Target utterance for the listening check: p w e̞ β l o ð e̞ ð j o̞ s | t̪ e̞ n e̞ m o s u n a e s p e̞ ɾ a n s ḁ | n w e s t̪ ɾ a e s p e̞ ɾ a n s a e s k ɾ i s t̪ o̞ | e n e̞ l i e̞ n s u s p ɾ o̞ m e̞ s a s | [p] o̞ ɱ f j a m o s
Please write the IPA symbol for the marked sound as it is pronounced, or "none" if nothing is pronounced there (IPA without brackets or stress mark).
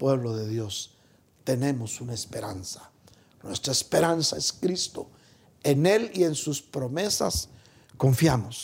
k